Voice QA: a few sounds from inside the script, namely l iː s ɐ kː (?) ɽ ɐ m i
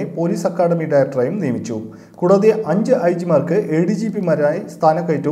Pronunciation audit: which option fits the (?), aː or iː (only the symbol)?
aː